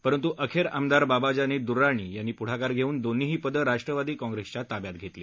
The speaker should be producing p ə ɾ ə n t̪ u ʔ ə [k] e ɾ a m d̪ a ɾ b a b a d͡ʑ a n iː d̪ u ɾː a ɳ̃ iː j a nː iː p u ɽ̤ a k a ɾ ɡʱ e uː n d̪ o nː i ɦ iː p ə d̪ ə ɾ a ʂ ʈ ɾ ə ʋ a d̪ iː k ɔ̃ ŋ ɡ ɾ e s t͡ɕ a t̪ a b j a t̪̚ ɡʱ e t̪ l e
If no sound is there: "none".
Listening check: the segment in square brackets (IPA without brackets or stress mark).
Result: kʰ